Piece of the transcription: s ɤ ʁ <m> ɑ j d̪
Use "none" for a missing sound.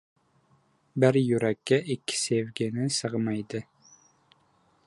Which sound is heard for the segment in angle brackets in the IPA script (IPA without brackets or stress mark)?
m